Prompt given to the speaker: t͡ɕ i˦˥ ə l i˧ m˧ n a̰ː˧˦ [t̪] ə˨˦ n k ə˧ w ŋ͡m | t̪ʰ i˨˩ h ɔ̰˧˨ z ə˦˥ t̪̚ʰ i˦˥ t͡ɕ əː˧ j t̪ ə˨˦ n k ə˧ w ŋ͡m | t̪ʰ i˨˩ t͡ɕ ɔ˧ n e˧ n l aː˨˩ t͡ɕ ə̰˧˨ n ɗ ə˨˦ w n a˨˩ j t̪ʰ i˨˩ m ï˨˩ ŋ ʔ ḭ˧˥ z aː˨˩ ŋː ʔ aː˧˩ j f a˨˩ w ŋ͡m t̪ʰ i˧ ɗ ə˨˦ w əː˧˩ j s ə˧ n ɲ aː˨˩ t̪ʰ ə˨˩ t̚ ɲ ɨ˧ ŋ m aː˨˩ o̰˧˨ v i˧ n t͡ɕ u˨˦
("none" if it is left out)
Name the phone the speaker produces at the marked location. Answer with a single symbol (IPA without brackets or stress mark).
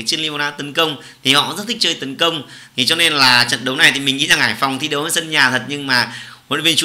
t̪